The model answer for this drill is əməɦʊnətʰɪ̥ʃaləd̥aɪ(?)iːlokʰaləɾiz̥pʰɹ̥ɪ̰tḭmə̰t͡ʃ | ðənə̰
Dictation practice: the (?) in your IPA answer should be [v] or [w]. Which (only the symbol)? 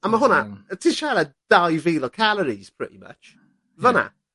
v